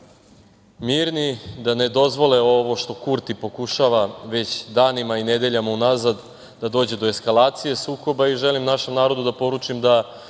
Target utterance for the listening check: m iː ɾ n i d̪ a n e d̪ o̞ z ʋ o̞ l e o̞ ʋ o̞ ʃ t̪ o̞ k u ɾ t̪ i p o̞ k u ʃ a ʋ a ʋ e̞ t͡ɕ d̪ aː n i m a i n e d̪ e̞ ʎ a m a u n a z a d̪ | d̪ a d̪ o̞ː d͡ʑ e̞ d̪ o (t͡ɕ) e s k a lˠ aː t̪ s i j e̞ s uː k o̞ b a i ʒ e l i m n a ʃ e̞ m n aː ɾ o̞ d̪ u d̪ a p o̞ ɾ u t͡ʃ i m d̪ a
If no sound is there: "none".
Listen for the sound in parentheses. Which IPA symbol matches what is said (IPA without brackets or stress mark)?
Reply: none